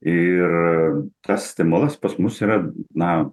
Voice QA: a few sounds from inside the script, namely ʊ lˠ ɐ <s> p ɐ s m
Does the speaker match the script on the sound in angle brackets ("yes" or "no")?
yes